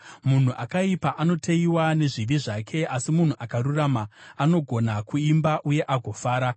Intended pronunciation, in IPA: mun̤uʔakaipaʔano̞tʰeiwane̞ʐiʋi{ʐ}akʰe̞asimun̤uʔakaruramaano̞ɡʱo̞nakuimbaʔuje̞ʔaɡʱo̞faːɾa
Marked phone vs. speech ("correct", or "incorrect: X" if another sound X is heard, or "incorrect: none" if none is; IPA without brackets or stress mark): correct